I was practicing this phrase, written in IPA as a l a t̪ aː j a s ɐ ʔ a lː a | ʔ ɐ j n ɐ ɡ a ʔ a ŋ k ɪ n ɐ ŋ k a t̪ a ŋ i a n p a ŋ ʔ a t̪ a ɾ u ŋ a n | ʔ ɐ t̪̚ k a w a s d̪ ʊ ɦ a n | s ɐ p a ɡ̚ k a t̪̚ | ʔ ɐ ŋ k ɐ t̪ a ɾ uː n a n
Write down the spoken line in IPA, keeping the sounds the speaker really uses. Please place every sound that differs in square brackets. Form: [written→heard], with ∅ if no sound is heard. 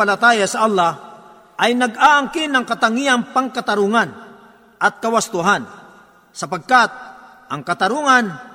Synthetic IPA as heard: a l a t̪ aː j a s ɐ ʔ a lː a | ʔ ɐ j n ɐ ɡ a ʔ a ŋ k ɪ n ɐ ŋ k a t̪ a ŋ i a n p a ŋ [ʔ→k] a t̪ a ɾ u ŋ a n | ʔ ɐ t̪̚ k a w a s [d̪→t̪] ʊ ɦ a n | s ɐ p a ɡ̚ k a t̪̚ | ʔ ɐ ŋ k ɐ t̪ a ɾ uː [n→ŋ] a n